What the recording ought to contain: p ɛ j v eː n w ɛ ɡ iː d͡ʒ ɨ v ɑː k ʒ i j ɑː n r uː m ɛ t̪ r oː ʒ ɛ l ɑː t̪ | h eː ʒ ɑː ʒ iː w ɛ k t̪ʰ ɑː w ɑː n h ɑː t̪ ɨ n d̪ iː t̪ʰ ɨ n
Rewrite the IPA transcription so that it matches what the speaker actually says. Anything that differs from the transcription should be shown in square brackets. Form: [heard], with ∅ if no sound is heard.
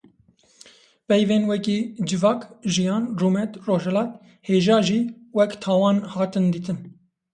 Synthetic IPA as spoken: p ɛ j v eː n w ɛ [k] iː d͡ʒ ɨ v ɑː k ʒ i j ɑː n r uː m ɛ t̪ r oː ʒ ɛ l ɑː t̪ | h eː ʒ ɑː ʒ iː w ɛ k t̪ʰ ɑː w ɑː n h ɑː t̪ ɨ n d̪ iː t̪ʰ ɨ n